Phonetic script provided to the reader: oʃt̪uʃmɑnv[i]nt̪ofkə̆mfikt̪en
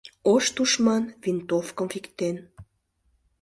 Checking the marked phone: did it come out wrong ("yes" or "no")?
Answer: no